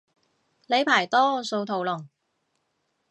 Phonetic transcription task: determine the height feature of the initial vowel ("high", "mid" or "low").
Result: mid